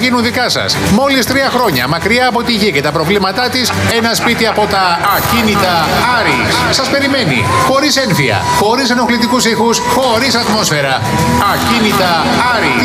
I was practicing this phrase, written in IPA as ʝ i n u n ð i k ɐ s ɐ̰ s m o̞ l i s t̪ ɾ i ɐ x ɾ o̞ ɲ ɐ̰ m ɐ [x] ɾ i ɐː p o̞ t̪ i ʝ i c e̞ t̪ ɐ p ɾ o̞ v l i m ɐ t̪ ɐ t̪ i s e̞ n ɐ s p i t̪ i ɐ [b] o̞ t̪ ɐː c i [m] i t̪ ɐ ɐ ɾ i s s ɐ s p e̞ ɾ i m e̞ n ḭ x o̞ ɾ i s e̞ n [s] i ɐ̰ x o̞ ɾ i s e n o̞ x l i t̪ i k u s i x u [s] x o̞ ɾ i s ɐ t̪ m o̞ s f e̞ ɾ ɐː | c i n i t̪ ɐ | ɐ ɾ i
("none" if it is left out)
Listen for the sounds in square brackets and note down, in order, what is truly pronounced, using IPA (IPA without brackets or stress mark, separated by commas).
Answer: k, p, n, f, s